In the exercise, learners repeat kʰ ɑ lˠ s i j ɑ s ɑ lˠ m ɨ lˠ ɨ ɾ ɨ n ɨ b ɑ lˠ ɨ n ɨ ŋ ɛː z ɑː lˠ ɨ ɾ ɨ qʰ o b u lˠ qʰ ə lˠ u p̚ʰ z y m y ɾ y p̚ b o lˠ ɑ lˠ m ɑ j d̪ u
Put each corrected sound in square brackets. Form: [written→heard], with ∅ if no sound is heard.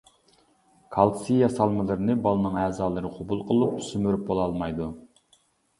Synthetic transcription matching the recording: kʰ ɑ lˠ s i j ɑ s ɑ lˠ m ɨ lˠ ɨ ɾ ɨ n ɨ b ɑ lˠ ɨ n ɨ ŋ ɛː z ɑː lˠ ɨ ɾ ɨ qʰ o b u lˠ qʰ ə lˠ u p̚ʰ [z→s] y m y ɾ y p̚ b o lˠ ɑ lˠ m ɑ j d̪ u

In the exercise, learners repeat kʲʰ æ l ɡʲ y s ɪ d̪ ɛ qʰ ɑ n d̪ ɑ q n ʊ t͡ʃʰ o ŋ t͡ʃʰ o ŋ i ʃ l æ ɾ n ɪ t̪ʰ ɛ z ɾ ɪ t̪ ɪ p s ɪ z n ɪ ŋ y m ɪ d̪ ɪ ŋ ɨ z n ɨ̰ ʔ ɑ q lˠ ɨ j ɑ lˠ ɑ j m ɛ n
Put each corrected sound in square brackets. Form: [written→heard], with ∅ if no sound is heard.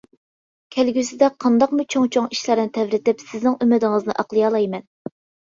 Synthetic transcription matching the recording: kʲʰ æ l ɡʲ y s ɪ d̪ ɛ qʰ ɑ n d̪ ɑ q [n→m] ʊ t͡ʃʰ o ŋ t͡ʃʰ o ŋ i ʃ l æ ɾ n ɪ t̪ʰ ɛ [z→v] ɾ ɪ t̪ ɪ p s ɪ z n ɪ ŋ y m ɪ d̪ ɪ ŋ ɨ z n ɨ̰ ʔ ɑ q lˠ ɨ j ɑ lˠ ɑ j m ɛ n

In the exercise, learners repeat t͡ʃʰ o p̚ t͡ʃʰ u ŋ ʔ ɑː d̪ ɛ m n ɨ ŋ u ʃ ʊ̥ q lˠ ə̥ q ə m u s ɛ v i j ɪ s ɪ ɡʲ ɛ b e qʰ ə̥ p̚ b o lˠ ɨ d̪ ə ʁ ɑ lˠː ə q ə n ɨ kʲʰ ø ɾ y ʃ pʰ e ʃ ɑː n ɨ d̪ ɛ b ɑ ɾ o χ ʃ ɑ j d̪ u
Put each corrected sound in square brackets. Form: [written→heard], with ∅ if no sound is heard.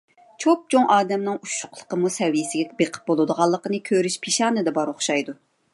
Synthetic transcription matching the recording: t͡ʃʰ o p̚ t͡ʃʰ [u→o] ŋ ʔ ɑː d̪ ɛ m n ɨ ŋ u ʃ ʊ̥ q lˠ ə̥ q ə m u s ɛ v i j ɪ s ɪ ɡʲ ɛ b e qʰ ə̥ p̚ b o lˠ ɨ d̪ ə ʁ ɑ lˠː ə q ə n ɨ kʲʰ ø ɾ y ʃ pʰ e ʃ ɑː n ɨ d̪ ɛ b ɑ ɾ o χ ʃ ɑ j d̪ u

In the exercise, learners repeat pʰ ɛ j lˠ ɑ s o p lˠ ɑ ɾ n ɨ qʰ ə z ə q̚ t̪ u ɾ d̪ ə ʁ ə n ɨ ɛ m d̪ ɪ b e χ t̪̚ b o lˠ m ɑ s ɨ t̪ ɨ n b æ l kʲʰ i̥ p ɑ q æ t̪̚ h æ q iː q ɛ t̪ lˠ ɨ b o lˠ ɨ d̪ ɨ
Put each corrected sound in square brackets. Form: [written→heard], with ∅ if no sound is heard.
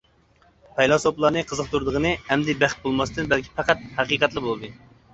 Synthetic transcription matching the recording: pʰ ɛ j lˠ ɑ s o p lˠ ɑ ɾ n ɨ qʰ ə z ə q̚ t̪ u ɾ d̪ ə ʁ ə n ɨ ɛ m d̪ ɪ b [e→æ] χ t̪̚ b o lˠ m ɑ s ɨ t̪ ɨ n b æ l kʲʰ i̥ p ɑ q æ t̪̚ h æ q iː q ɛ t̪ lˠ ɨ b o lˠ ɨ d̪ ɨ

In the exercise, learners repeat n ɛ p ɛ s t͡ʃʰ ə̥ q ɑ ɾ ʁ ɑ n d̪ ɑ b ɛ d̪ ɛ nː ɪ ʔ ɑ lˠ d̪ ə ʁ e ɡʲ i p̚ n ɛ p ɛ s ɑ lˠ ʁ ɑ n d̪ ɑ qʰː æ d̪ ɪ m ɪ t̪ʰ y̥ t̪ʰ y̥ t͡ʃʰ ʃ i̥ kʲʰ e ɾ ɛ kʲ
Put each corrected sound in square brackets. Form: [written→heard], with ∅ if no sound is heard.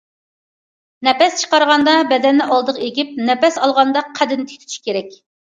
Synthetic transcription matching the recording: n ɛ p ɛ s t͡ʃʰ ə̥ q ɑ ɾ ʁ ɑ n d̪ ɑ b ɛ d̪ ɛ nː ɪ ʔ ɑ lˠ d̪ ə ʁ e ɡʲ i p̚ n ɛ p ɛ s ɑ lˠ ʁ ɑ n d̪ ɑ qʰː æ d̪ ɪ [m→n] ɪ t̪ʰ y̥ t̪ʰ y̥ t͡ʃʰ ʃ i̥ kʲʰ e ɾ ɛ kʲ

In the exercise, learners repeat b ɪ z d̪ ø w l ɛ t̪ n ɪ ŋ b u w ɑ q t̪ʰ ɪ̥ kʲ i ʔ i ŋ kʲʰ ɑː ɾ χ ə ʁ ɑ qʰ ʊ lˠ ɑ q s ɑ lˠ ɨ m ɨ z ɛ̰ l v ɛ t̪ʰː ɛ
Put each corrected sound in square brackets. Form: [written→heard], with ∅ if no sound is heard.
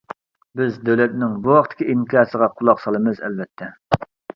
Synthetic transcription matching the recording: b ɪ z d̪ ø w l ɛ t̪ n ɪ ŋ b u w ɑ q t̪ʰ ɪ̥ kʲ i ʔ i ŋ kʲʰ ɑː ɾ [χ→s] ə ʁ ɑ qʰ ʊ lˠ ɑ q s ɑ lˠ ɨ m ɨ z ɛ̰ l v ɛ t̪ʰː ɛ

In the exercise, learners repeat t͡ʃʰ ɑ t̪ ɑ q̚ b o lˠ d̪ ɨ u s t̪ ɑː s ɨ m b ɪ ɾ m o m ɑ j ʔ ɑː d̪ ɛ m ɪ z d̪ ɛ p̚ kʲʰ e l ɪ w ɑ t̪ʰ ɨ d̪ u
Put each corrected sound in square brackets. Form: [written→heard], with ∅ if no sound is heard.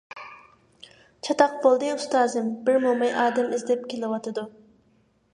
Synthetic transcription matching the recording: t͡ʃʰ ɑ t̪ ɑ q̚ b o lˠ d̪ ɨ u s t̪ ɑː [s→z] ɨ m b ɪ ɾ m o m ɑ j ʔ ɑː d̪ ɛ m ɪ z d̪ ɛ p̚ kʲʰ e l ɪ w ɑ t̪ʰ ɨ d̪ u

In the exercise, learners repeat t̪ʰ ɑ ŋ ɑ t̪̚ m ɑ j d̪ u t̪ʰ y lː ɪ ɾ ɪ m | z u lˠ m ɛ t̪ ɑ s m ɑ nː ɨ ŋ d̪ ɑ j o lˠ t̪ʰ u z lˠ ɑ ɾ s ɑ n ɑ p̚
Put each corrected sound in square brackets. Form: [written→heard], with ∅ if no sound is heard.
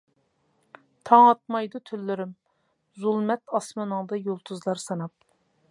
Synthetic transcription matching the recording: t̪ʰ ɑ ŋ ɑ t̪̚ m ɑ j d̪ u t̪ʰ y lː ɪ ɾ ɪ m | z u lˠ m ɛ t̪ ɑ s m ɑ [nː→n] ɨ ŋ d̪ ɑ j o lˠ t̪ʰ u z lˠ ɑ ɾ s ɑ n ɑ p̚

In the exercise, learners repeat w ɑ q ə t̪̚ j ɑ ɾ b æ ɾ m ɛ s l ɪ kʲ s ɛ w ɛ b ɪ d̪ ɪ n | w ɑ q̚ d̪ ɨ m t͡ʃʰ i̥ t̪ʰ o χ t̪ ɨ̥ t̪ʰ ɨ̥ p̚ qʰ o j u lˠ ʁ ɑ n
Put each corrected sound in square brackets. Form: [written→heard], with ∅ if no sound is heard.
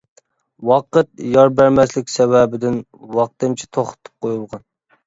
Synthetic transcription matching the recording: w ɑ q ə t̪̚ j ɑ ɾ b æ ɾ m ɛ s l ɪ kʲ s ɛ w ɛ b ɪ d̪ ɪ n | w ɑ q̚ [d̪→t̪] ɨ m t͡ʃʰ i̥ t̪ʰ o χ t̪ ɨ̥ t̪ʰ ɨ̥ p̚ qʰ o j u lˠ ʁ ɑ n

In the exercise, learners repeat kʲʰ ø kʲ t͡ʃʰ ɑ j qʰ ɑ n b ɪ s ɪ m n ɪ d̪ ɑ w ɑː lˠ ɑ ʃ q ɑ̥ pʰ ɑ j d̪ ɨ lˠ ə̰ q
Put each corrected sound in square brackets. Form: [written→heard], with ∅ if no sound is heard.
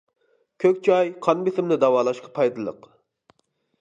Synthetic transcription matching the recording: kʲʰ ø kʲ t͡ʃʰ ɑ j qʰ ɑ n b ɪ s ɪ m n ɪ d̪ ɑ w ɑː lˠ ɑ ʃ q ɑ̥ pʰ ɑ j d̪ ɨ lˠ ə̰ q

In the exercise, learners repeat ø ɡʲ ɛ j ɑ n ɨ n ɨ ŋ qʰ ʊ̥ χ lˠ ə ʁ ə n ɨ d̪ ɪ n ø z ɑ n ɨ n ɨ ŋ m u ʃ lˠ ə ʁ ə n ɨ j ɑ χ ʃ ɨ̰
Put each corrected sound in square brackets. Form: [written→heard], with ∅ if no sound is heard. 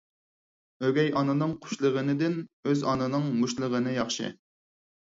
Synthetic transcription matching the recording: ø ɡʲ ɛ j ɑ n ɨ n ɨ ŋ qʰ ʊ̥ [χ→ʃ] lˠ ə ʁ ə n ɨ d̪ ɪ n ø z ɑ n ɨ n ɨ ŋ m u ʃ lˠ ə ʁ ə n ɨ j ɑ χ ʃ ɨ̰

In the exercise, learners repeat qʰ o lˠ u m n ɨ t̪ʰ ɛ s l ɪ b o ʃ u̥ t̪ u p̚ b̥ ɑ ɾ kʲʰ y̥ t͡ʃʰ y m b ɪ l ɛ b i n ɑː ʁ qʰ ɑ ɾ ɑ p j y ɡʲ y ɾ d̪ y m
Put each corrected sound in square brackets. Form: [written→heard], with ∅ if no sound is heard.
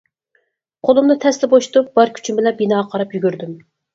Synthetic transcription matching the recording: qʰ o lˠ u m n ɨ t̪ʰ ɛ s l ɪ b o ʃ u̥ t̪ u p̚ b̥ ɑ ɾ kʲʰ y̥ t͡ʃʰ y m b ɪ l ɛ b i n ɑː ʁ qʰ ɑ ɾ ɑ p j y ɡʲ y ɾ d̪ y m

